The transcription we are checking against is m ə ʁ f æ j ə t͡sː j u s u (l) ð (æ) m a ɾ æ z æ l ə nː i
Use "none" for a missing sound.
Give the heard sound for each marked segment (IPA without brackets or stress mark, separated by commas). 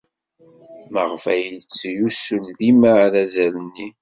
l, i